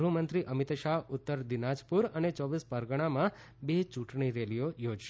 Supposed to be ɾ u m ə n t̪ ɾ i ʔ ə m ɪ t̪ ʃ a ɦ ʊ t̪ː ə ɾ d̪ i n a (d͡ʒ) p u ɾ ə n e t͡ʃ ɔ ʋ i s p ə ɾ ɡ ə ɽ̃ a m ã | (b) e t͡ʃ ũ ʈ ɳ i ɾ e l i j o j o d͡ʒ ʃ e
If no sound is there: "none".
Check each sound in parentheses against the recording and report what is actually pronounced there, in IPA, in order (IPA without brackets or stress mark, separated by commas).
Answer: d͡ʒ, b